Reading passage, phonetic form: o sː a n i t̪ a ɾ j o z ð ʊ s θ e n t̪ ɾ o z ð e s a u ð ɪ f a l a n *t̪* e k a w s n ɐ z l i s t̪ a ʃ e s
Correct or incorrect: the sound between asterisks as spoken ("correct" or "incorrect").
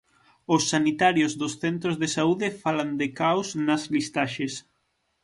incorrect